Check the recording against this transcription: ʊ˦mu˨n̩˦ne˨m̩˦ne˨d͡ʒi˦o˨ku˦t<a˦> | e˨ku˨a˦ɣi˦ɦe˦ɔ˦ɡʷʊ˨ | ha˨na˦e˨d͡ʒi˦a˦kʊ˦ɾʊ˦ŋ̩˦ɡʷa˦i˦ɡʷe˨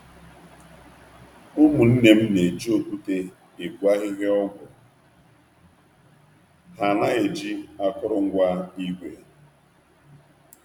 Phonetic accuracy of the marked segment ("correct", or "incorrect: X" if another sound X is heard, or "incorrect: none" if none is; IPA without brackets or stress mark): incorrect: e˦